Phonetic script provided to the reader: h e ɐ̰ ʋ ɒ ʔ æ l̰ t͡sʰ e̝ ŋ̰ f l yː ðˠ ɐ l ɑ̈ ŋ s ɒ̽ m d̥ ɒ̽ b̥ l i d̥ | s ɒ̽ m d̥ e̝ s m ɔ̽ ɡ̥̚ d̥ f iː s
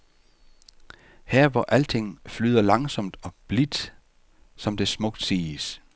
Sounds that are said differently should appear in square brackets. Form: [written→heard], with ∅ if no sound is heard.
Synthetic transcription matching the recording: h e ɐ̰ ʋ ɒ ʔ æ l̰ t͡sʰ e̝ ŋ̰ f l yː ðˠ ɐ l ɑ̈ ŋ s ɒ̽ m d̥ ɒ̽ b̥ l i d̥ | s ɒ̽ m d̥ e̝ s m ɔ̽ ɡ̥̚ d̥ [f→s] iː s